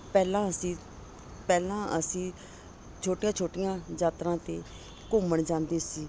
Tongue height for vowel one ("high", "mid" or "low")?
mid